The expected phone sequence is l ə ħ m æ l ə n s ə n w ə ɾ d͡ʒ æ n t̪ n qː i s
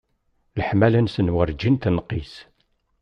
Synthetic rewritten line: l ə ħ m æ l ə n s ə n w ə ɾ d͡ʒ i n t̪ n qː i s

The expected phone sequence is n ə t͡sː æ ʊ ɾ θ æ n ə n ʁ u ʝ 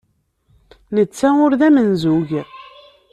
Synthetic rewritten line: n ə t͡sː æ ʊ ɾ ð æ m ə n z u ʝ

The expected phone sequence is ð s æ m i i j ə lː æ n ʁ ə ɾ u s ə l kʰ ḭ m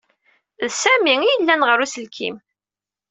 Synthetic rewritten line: ð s æ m i i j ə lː æ n ʁ ə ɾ u s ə l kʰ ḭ m

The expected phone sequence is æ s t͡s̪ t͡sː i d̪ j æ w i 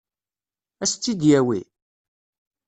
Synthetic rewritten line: æ s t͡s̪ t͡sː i d̪ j æ w i

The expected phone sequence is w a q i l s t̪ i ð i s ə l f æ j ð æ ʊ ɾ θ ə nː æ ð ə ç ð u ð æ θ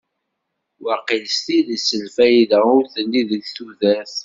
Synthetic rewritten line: w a q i l s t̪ i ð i s ə l f æ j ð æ ʊ ɾ θ ə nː i ð ə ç θ u ð æ θ

